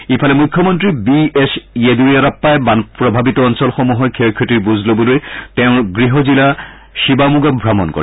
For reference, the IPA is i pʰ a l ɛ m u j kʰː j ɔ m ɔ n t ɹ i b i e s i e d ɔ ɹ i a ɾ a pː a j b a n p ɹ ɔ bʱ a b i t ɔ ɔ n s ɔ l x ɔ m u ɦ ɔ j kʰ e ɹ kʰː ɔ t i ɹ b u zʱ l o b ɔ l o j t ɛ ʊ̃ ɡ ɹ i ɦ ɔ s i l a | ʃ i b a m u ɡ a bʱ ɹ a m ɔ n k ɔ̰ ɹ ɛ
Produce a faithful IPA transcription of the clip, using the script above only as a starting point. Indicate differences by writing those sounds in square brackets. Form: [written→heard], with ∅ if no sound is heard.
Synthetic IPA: i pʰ a l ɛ m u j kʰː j ɔ m ɔ n t ɹ i b i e s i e d [ɔ→u] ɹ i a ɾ a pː a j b a n p ɹ ɔ bʱ a b i t ɔ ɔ n s ɔ l x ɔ m u ɦ ɔ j kʰ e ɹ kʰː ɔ t i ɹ b u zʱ l o b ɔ l o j t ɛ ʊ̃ ɡ ɹ i ɦ ɔ [s→z] i l a | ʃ i b a m u ɡ a bʱ ɹ a m ɔ n k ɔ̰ ɹ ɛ

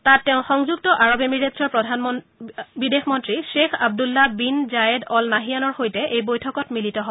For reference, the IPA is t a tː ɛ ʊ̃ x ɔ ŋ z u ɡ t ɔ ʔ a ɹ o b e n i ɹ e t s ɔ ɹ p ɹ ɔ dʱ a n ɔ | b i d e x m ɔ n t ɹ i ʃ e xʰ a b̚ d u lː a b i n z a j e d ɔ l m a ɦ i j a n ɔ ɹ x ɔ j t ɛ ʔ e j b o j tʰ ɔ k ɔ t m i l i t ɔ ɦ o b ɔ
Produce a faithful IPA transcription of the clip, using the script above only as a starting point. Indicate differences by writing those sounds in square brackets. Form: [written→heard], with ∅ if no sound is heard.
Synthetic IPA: t a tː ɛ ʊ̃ x ɔ ŋ z u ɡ t ɔ ʔ a ɹ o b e [n→m] i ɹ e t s ɔ ɹ p ɹ ɔ dʱ a n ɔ | b i d e x m ɔ n t ɹ i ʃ e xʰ a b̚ d u lː a b i n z a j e d ɔ l [m→n] a ɦ i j a n ɔ ɹ x [ɔ→o] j t ɛ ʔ e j b o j tʰ ɔ k ɔ t m i l i t ɔ ɦ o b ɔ

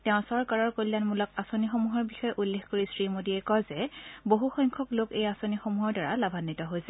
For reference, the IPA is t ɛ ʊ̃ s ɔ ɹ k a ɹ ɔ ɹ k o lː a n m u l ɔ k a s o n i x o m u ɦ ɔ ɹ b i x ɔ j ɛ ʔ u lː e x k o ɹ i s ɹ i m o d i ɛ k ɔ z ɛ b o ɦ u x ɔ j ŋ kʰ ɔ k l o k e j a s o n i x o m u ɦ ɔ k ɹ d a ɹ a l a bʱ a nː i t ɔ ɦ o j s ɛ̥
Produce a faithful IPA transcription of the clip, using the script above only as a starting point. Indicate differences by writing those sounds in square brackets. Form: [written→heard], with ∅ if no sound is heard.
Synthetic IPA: t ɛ ʊ̃ s ɔ ɹ k a ɹ ɔ ɹ k o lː a n m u l ɔ k a s o n i x o m u ɦ ɔ ɹ b i x ɔ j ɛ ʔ u lː e x k o ɹ i s ɹ i m o d i ɛ k ɔ z ɛ b o ɦ u x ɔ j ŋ kʰ ɔ k l o k e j a s o n i x o m u ɦ ɔ [k→∅] ɹ d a ɹ a l a bʱ a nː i t ɔ ɦ o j s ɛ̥

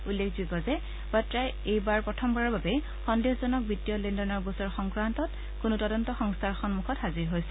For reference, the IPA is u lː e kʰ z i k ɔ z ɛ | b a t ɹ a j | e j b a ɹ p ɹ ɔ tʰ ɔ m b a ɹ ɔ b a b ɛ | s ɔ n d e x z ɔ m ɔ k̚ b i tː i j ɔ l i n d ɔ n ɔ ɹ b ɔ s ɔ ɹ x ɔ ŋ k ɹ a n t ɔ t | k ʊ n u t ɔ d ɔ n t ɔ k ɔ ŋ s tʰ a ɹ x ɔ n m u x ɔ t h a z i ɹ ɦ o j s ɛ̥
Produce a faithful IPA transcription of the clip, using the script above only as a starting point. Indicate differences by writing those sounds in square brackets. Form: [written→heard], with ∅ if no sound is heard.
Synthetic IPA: u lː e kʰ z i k ɔ z ɛ | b a t ɹ a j | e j b a ɹ p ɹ ɔ tʰ ɔ m b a ɹ ɔ b a b ɛ | [s→x] ɔ n d e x z ɔ [m→n] ɔ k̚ b i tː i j ɔ l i n d ɔ n ɔ ɹ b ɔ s ɔ ɹ x ɔ ŋ k ɹ a n t ɔ t | k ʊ n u t ɔ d ɔ n t ɔ [k→x] ɔ ŋ s tʰ a ɹ x ɔ n m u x ɔ t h a z i ɹ ɦ o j s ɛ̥

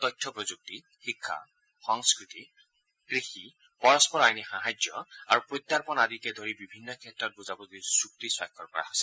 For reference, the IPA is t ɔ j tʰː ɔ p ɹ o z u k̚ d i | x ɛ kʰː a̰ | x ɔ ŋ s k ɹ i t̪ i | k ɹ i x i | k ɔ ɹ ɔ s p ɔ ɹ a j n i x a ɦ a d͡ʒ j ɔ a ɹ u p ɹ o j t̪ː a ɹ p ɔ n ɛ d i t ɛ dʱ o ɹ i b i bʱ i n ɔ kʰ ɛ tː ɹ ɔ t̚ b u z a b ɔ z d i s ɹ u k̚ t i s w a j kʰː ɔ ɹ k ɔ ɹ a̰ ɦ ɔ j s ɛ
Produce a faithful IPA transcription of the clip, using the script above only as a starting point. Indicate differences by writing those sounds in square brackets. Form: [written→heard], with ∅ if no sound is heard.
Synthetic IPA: t ɔ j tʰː ɔ p ɹ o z u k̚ [d→t] i | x [ɛ→i] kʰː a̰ | x ɔ ŋ s k ɹ i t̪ i | k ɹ i x i | [k→p] ɔ ɹ ɔ s p ɔ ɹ a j n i x a ɦ a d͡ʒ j ɔ a ɹ u p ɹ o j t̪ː a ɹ p ɔ n [ɛ→a] d i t ɛ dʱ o ɹ i b i bʱ i [n→nː] ɔ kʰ ɛ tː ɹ ɔ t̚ b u z a b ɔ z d i s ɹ u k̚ t i s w a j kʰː ɔ ɹ k ɔ ɹ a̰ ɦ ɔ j s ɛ

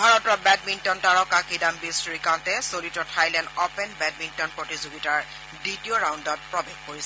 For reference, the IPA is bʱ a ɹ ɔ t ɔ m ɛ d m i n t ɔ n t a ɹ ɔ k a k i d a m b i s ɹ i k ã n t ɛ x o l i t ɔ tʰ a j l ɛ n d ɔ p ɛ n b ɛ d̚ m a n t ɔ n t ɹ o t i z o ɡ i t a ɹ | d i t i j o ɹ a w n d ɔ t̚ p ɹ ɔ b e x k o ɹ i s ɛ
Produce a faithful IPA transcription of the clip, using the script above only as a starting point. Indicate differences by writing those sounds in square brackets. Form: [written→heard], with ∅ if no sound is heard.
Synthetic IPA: bʱ a ɹ ɔ t ɔ [m→b] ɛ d m i n t ɔ n t a ɹ ɔ k a k i d a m b i s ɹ i k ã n t ɛ [x→s] o l i t ɔ tʰ a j l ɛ n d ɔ p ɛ n b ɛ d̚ m [a→i] n t ɔ n [t→p] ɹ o t i z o ɡ i t a ɹ | d i t i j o ɹ a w n d ɔ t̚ p ɹ ɔ b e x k o ɹ i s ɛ

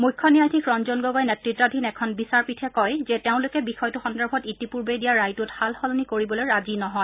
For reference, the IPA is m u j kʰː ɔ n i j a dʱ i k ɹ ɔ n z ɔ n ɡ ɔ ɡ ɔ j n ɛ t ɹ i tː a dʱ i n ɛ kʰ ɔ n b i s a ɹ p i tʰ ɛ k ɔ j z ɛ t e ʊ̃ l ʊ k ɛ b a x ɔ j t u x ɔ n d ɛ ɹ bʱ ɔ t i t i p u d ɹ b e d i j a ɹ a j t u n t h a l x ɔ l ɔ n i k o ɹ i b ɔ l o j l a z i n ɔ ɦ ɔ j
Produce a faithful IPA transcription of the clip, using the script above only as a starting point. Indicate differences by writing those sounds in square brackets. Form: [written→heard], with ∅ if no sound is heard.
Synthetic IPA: m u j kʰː ɔ n i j a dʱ i k ɹ ɔ n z ɔ n ɡ ɔ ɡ ɔ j n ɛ t ɹ i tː a dʱ i n ɛ kʰ ɔ n b i s a ɹ p i tʰ ɛ k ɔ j z ɛ t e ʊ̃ l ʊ k ɛ b [a→i] x ɔ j t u x ɔ n d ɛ ɹ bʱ ɔ t i t i p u [d→∅] ɹ b e d i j a ɹ a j t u [n→∅] t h a l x ɔ l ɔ n i k o ɹ i b ɔ l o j [l→ɹ] a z i n ɔ ɦ ɔ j

